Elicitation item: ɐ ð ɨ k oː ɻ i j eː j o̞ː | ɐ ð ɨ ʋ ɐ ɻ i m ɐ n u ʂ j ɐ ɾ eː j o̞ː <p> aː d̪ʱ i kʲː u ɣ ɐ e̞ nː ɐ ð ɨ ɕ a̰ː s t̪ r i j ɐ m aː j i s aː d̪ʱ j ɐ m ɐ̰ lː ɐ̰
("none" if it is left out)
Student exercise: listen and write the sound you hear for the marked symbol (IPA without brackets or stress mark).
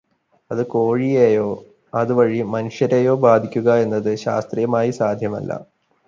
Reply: b